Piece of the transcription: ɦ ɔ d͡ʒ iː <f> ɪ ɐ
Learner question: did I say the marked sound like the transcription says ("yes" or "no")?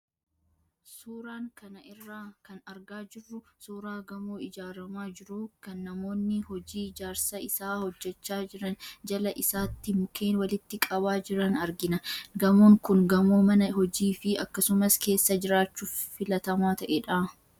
yes